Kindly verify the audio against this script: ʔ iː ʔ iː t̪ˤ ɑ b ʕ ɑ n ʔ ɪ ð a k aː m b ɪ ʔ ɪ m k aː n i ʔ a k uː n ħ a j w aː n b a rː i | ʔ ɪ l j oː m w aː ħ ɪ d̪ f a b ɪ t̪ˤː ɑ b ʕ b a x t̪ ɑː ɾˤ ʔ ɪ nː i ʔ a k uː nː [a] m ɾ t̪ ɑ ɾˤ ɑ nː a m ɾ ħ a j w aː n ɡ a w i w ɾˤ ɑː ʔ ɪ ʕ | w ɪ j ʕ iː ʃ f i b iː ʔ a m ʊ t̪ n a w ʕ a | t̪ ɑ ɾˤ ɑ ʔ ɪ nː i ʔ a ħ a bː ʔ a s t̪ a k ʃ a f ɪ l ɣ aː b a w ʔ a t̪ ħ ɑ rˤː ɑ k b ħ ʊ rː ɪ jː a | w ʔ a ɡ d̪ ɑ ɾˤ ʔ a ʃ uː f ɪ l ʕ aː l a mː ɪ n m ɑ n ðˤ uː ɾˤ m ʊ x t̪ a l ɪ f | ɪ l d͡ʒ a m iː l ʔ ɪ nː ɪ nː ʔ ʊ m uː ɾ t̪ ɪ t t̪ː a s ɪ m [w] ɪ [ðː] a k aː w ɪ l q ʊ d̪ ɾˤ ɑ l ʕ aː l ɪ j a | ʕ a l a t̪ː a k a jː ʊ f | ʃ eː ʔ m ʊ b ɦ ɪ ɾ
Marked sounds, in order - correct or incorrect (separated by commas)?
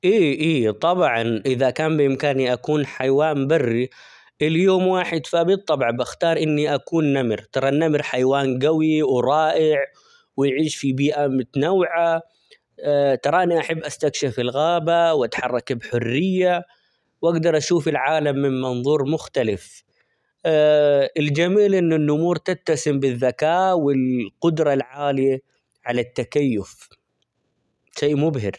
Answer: correct, incorrect, correct